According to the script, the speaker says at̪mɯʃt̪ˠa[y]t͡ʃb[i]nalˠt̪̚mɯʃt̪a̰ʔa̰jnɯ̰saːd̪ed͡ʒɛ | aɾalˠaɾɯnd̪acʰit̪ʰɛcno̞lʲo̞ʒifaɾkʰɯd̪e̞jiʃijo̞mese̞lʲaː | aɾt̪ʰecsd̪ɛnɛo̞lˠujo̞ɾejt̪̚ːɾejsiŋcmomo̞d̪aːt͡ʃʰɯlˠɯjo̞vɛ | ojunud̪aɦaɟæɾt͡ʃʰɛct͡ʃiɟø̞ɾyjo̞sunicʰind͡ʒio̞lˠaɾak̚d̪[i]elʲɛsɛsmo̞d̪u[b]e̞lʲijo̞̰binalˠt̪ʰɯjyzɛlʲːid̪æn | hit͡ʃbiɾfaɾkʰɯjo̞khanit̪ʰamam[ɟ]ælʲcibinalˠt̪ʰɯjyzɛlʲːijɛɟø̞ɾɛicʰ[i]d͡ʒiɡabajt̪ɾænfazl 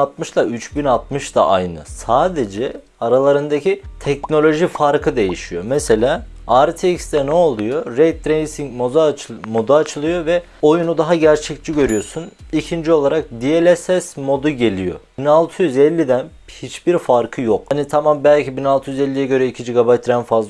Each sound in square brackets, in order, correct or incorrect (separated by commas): correct, correct, correct, incorrect, incorrect, correct